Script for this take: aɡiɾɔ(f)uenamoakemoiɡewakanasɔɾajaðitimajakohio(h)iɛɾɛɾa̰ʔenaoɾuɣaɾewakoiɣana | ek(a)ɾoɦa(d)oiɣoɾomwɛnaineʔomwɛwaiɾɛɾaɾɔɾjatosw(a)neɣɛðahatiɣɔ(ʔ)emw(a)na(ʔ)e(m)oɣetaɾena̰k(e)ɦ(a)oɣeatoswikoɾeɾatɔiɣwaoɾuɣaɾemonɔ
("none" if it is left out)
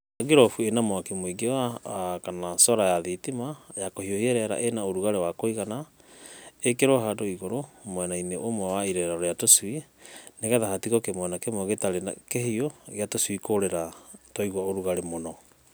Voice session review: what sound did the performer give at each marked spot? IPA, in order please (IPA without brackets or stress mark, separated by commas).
f, h, e, d, i, k, ɛ, k, m, e, i